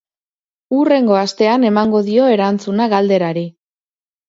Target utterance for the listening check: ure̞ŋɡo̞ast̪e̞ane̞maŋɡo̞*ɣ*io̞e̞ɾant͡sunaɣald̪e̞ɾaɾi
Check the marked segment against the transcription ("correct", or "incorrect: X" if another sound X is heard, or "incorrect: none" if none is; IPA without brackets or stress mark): incorrect: ð